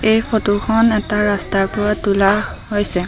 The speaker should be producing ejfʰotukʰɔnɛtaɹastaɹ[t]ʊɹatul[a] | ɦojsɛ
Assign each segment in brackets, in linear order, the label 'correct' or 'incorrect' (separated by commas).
incorrect, correct